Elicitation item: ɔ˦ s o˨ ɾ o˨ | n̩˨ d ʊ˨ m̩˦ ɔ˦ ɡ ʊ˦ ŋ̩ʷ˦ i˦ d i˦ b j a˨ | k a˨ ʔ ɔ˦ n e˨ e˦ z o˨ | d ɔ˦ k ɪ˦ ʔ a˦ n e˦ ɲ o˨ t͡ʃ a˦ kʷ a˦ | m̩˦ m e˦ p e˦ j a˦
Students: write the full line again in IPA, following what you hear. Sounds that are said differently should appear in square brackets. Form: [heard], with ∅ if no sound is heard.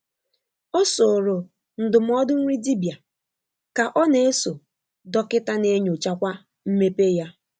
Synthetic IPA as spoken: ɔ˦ s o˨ ɾ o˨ | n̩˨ d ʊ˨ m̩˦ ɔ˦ [d] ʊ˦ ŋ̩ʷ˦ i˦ d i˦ b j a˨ | k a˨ ʔ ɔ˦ n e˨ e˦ [s] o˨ | d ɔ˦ k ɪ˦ [t] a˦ n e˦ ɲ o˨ t͡ʃ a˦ kʷ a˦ | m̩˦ m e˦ p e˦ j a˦